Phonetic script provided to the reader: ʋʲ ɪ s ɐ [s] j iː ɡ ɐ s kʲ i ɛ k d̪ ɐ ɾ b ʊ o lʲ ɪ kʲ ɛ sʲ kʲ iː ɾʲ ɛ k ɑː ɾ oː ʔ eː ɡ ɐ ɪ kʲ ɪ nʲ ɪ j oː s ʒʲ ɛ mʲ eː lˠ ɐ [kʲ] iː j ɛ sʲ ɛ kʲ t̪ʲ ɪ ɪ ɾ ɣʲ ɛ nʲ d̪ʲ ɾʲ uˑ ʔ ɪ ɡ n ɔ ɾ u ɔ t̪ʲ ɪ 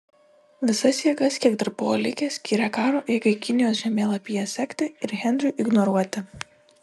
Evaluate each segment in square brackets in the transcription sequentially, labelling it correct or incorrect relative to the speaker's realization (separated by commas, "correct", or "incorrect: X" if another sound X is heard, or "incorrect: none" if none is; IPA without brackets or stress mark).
correct, incorrect: pʲ